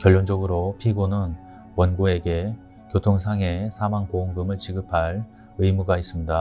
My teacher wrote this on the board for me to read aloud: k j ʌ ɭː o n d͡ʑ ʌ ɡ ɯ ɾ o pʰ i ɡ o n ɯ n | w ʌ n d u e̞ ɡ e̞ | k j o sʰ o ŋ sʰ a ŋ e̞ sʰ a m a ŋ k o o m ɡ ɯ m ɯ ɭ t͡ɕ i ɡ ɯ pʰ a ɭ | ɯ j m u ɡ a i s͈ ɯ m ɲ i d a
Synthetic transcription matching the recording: k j ʌ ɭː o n d͡ʑ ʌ ɡ ɯ ɾ o pʰ i ɡ o n ɯ n | w ʌ n ɡ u e̞ ɡ e̞ | k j o tʰ o ŋ sʰ a ŋ e̞ sʰ a m a ŋ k o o ŋ ɡ ɯ m ɯ ɭ t͡ɕ i ɡ ɯ pʰ a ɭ | ɯ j m u ɡ a i s͈ ɯ m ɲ i d a